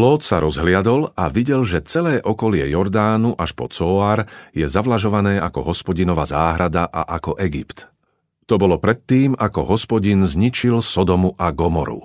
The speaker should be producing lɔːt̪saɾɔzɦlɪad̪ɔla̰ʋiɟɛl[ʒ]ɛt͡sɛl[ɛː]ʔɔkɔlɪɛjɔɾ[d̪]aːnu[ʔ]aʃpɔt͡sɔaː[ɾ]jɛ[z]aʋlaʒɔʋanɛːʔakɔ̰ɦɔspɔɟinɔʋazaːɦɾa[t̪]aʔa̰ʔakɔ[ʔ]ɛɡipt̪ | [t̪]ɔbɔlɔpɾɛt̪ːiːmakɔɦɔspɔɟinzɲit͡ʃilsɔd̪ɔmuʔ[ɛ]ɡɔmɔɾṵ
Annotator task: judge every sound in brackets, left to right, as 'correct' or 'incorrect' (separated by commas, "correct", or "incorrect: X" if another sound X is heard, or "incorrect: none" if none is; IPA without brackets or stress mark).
correct, correct, correct, correct, correct, correct, incorrect: d̪, correct, correct, incorrect: a